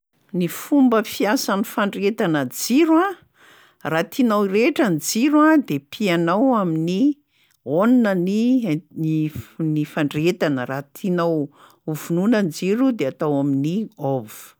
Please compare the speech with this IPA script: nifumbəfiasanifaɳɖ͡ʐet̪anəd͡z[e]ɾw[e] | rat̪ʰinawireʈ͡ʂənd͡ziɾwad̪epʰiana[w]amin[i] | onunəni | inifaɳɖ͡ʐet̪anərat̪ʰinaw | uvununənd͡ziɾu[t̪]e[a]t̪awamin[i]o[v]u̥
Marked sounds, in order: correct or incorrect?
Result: incorrect, incorrect, correct, correct, incorrect, correct, correct, correct

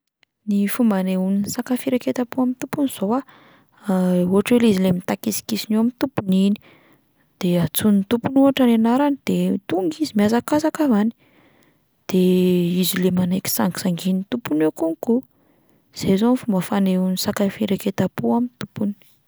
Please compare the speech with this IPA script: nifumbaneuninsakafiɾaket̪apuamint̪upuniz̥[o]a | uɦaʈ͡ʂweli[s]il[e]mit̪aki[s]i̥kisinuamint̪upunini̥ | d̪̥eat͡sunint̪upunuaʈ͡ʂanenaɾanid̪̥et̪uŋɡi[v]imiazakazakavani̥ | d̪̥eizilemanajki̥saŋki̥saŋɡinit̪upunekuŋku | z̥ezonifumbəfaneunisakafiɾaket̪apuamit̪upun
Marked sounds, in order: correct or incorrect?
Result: correct, incorrect, correct, correct, incorrect

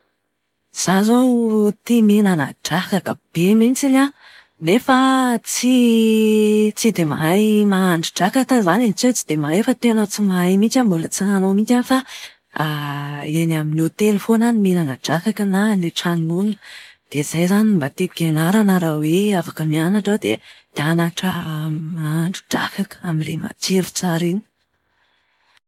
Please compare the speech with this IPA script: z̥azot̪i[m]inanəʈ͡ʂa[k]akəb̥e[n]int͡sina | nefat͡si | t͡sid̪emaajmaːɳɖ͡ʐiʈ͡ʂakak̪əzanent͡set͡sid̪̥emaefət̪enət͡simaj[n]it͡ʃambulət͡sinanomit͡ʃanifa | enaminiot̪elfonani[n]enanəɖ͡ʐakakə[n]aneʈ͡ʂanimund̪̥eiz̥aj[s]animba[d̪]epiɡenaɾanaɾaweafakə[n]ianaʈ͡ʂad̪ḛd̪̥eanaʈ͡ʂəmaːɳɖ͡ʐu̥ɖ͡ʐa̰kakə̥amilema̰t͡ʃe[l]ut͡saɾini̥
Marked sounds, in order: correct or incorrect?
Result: correct, correct, incorrect, incorrect, incorrect, correct, incorrect, incorrect, incorrect, incorrect

